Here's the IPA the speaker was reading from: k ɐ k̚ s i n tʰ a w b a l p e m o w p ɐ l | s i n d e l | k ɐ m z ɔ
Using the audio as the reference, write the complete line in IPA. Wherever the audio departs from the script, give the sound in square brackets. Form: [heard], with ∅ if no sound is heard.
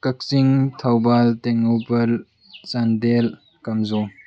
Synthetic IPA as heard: k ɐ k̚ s i [ŋ] tʰ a w b a l [t] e [ŋ] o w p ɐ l | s [a] n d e l | k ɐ m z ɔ